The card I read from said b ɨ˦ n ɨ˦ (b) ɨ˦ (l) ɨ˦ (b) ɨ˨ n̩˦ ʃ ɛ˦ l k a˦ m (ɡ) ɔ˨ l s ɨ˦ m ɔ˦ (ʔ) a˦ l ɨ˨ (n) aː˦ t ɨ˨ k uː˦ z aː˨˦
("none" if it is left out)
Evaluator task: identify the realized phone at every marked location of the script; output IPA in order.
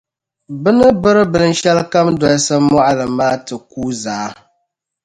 b, ɾ, b, d, ʔ, m

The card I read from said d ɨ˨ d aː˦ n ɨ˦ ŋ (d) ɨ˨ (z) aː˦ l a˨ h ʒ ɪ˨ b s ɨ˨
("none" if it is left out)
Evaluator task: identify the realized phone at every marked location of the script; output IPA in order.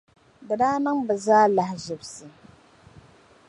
b, z

